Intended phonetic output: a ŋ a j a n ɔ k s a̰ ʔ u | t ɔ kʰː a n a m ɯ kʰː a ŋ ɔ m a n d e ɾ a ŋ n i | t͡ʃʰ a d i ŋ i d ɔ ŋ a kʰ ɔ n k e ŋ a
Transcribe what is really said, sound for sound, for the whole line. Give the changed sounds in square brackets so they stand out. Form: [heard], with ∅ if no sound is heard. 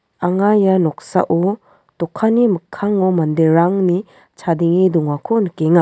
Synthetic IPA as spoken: a ŋ a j a n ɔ k s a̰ ʔ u | t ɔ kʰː a n [i] m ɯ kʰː a ŋ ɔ m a n d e ɾ a ŋ n i | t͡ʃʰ a d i ŋ i d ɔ ŋ a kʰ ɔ n k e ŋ a